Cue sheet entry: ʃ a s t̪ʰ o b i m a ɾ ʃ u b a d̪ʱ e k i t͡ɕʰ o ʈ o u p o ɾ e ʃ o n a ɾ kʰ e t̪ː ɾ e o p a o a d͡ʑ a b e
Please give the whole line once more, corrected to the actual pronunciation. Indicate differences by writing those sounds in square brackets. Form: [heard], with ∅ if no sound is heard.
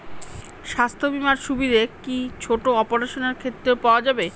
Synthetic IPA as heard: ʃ a s t̪ʰ o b i m a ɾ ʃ u b [i] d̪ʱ e k i t͡ɕʰ o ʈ o [ɔ] p o ɾ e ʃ o n [e] ɾ kʰ e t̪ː ɾ e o p a o a d͡ʑ a b e